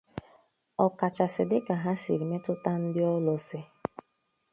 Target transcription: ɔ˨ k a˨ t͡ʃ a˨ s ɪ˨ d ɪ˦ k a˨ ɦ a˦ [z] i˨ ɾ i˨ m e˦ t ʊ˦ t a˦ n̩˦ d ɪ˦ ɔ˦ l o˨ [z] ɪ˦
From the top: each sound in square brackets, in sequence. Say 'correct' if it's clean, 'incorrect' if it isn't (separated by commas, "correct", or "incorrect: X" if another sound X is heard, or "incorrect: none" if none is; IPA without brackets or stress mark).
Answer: incorrect: s, incorrect: s